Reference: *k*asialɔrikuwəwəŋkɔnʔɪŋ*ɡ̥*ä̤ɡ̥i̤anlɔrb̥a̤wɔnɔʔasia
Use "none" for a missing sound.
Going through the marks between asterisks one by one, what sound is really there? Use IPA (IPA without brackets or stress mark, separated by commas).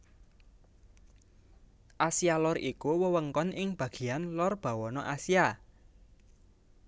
ʔ, b̥